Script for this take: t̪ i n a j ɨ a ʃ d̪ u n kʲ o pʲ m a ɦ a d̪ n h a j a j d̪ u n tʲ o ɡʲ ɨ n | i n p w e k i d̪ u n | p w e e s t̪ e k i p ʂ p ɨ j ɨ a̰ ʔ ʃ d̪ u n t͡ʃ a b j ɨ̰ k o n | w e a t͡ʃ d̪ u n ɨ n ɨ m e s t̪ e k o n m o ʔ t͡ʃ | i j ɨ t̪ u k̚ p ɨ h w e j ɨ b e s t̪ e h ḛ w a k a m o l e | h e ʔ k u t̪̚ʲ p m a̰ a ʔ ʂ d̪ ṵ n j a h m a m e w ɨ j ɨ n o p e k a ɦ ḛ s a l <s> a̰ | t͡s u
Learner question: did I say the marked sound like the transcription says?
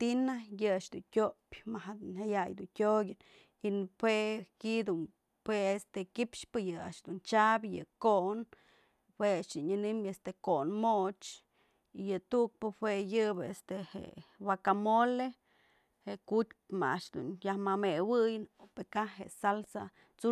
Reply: yes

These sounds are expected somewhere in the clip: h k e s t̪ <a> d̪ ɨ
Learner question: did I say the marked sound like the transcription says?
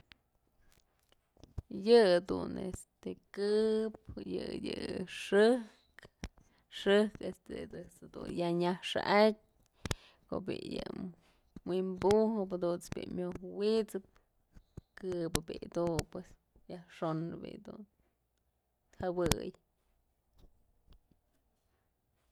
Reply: no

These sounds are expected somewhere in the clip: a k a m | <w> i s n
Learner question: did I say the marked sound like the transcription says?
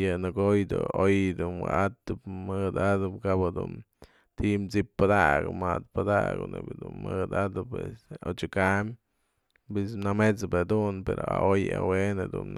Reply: no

